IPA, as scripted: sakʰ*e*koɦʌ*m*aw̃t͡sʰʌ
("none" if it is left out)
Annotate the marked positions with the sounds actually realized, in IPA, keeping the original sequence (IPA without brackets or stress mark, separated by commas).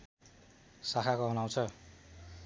a, n